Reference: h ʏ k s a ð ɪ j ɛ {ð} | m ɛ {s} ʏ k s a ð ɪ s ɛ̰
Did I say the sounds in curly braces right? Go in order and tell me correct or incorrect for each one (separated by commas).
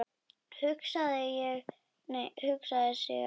incorrect, incorrect